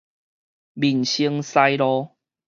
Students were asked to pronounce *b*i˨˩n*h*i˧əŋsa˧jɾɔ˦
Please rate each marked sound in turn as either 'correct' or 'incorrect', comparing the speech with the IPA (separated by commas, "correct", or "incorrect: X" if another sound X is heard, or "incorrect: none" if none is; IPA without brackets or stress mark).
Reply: correct, incorrect: ɕ